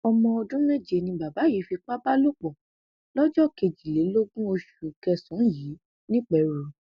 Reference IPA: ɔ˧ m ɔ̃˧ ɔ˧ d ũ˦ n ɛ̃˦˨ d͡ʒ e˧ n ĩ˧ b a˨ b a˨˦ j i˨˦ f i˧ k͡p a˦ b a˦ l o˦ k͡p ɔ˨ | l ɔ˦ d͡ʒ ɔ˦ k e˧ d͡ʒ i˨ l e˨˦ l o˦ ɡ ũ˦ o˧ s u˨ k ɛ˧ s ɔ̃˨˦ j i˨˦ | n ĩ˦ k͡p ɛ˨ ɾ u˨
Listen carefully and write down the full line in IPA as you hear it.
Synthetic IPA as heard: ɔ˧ m ɔ̃˧ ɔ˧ d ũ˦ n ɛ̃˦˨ d͡ʒ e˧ n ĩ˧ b a˨ b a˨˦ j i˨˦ f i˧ k͡p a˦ b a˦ l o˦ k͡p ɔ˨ | l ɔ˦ d͡ʒ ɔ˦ k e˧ d͡ʒ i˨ l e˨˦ l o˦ ɡ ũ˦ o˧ ʃ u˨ k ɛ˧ s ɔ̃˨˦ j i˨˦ | n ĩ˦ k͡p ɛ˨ ɾ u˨

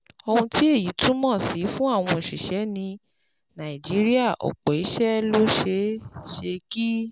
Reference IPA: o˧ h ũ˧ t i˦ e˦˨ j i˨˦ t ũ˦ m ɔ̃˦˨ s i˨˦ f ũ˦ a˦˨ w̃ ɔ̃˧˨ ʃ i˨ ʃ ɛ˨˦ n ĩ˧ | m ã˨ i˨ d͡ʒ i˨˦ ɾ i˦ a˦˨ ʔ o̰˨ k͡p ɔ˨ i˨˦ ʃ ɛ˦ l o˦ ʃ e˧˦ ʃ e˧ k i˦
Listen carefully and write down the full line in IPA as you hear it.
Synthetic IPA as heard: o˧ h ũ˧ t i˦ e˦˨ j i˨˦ t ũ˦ m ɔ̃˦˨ s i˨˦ f ũ˦ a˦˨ w̃ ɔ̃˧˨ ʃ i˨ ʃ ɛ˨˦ n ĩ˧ | n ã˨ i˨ d͡ʒ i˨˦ ɾ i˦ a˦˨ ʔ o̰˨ k͡p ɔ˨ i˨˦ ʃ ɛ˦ l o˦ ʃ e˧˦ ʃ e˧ k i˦

